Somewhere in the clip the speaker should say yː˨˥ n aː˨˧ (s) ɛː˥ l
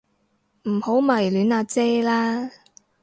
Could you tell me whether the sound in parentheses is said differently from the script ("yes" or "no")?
yes